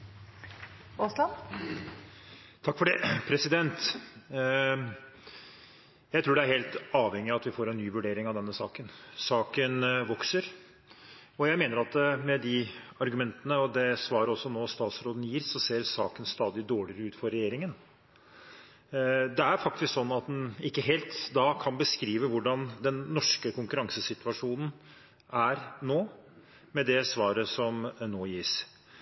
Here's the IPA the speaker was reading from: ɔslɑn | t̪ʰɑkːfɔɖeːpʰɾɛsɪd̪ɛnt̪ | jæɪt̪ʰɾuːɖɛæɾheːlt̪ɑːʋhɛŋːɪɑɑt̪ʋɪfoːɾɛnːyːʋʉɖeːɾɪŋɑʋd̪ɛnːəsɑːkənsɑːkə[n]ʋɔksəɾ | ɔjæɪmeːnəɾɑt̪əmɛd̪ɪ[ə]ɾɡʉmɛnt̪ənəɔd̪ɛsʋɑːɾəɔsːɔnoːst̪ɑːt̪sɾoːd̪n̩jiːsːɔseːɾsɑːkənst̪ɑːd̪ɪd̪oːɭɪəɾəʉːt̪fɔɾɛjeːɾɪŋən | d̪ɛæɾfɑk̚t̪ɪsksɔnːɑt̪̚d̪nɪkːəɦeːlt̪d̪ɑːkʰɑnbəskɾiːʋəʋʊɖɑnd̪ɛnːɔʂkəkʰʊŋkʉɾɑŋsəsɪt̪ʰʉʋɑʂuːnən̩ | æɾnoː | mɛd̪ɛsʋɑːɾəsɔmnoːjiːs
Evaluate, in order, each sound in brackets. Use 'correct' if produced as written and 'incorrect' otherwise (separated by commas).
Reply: correct, incorrect